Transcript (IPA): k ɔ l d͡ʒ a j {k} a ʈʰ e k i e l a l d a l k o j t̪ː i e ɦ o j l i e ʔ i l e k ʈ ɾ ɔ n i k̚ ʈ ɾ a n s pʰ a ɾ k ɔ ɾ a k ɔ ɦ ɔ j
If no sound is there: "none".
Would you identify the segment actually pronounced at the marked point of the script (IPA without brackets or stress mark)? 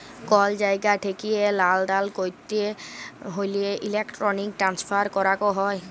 ɡ